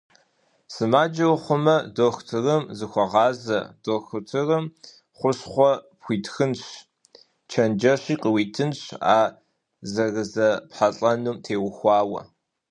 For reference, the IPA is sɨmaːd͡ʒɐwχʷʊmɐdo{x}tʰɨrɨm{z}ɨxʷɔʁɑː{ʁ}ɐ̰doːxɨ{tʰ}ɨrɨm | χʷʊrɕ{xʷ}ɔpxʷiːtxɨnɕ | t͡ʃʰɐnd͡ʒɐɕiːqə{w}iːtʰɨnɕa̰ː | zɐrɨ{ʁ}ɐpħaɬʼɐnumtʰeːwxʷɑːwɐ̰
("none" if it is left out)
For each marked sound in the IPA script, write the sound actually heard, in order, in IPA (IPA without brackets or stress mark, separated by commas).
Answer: x, z, z, tʰ, χʷ, w, z